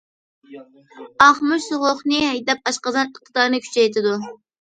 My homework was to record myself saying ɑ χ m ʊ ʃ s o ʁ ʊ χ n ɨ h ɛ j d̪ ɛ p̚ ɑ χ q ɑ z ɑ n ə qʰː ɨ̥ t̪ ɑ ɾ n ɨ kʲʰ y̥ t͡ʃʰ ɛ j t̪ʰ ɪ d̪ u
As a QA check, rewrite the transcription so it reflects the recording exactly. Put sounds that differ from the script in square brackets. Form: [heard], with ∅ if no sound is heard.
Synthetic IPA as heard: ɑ χ m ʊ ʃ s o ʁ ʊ χ n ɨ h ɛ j d̪ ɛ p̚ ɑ [ʃ] q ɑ z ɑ n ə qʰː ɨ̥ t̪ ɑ ɾ n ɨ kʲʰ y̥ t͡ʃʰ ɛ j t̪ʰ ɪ d̪ u

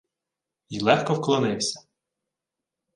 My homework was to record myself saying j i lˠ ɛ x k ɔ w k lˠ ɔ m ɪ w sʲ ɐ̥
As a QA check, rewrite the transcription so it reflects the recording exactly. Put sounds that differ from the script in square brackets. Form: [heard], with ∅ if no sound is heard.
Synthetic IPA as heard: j i lˠ ɛ x k ɔ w k lˠ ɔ [n] ɪ w sʲ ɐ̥

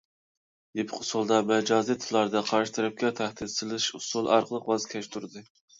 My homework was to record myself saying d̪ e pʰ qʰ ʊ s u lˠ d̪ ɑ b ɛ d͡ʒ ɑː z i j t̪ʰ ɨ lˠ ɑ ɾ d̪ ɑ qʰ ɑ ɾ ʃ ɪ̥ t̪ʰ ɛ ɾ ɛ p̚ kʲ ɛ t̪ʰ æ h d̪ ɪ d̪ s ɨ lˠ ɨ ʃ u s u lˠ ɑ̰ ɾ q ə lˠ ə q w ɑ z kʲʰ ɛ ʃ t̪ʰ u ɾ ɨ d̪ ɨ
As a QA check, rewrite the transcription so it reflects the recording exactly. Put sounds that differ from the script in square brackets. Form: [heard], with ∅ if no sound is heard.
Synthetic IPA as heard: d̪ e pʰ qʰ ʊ s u lˠ d̪ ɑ [m] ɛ d͡ʒ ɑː z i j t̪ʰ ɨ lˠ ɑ ɾ d̪ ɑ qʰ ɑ ɾ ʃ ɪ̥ t̪ʰ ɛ ɾ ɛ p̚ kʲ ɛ t̪ʰ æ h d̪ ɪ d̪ s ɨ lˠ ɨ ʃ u s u lˠ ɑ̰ ɾ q ə lˠ ə q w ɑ z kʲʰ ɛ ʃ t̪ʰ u ɾ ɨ d̪ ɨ

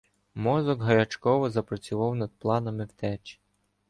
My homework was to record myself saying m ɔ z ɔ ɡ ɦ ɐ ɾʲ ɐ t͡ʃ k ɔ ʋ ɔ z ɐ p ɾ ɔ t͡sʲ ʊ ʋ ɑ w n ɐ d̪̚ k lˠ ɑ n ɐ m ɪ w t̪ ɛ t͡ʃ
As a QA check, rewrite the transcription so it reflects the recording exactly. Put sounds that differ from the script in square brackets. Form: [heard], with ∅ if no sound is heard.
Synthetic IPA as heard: m ɔ z ɔ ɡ ɦ ɐ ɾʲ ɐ t͡ʃ k ɔ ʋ ɔ z ɐ p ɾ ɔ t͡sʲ ʊ ʋ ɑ w n ɐ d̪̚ [p] lˠ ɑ n ɐ m ɪ w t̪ ɛ t͡ʃ

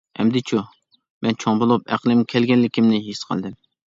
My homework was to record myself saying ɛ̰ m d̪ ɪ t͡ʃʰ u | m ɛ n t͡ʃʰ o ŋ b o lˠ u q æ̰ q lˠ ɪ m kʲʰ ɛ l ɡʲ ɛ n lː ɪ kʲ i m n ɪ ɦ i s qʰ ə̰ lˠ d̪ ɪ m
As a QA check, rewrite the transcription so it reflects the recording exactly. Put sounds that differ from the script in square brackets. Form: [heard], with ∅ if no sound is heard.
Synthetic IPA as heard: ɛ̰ m d̪ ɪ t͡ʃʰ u | m ɛ n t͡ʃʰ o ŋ b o lˠ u [p] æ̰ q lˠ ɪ m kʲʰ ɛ l ɡʲ ɛ n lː ɪ kʲ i m n ɪ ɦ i s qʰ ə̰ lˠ d̪ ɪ m

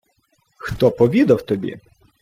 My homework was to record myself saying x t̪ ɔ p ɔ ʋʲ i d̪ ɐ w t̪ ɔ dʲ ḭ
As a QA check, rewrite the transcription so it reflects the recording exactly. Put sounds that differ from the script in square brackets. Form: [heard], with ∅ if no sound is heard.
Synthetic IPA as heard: x t̪ ɔ p ɔ ʋʲ i d̪ ɐ w t̪ ɔ [bʲ] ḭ

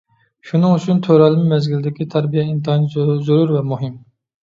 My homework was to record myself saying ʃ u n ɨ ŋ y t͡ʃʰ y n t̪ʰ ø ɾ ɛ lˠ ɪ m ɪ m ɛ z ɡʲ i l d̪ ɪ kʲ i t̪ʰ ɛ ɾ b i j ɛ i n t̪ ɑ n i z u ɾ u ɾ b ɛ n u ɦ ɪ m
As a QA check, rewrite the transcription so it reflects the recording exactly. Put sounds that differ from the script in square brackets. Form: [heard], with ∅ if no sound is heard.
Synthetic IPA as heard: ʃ u n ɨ ŋ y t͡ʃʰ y n t̪ʰ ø ɾ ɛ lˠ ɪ m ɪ m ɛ z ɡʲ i l d̪ ɪ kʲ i t̪ʰ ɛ ɾ b i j ɛ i n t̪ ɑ n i z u ɾ u ɾ [v] ɛ [m] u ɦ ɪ m

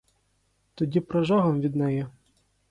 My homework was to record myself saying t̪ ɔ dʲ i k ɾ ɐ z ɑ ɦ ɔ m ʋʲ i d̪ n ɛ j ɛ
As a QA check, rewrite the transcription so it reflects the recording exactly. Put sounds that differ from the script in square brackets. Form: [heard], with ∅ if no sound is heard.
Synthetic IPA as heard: t̪ ɔ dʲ i [p] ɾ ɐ [ʒ] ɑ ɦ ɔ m ʋʲ i d̪ n ɛ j ɛ

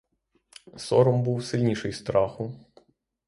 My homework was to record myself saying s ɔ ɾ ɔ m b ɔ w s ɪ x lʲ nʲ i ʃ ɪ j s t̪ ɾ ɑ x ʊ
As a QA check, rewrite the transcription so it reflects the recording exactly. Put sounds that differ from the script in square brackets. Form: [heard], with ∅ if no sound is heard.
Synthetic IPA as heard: s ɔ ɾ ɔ m b [u] w s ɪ [∅] lʲ nʲ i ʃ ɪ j s t̪ ɾ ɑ x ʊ

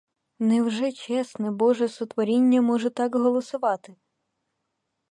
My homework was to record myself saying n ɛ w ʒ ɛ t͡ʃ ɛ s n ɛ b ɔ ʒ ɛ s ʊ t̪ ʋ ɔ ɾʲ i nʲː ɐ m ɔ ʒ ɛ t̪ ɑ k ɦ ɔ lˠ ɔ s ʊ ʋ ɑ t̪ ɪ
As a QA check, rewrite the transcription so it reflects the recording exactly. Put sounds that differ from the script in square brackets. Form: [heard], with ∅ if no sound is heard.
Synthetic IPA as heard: n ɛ w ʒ ɛ t͡ʃ ɛ s n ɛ b ɔ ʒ ɛ s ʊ t̪ ʋ ɔ ɾʲ i nʲː ɐ m ɔ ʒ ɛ t̪ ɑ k ɦ ɔ lˠ ɔ s ʊ ʋ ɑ t̪ ɪ

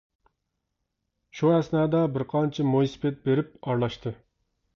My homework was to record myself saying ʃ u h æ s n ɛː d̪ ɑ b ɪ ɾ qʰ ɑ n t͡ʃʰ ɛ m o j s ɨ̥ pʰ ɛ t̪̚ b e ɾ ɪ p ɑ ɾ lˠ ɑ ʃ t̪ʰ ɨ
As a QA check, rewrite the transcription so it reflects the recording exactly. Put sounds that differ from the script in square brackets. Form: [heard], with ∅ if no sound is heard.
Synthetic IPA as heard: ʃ u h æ s n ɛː d̪ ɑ b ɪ ɾ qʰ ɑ n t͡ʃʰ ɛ m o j s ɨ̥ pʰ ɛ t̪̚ b e ɾ ɪ p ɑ ɾ lˠ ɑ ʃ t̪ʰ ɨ

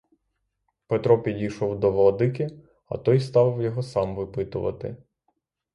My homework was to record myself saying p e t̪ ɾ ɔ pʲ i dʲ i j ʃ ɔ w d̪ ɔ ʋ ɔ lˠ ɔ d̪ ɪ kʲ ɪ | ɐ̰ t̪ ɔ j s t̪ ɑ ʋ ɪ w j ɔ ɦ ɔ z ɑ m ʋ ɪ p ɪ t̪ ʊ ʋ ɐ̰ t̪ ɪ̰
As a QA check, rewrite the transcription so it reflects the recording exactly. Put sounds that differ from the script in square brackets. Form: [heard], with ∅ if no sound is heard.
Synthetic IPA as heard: p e t̪ ɾ ɔ pʲ i dʲ i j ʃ ɔ w d̪ ɔ ʋ ɔ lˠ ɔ d̪ ɪ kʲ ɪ | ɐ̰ t̪ ɔ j s t̪ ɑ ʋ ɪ w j ɔ ɦ ɔ [s] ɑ m ʋ ɪ p ɪ t̪ ʊ ʋ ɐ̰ t̪ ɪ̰

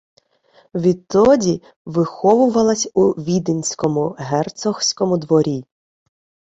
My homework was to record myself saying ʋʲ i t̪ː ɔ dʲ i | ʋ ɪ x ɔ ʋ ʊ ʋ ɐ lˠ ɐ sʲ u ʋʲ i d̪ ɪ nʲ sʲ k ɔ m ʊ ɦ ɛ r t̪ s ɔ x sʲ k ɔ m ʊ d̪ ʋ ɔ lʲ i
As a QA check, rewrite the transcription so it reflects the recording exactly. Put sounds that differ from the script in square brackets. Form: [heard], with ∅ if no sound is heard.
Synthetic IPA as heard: ʋʲ i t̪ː ɔ dʲ i | ʋ ɪ x ɔ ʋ ʊ ʋ ɐ lˠ ɐ sʲ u ʋʲ i d̪ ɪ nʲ sʲ k ɔ m ʊ ɦ ɛ r t̪ s ɔ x sʲ k ɔ m ʊ d̪ ʋ ɔ [ɾʲ] i

